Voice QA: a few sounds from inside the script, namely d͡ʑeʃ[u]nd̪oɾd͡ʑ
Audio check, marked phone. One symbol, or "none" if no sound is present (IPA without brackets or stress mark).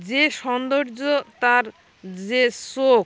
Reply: ɔ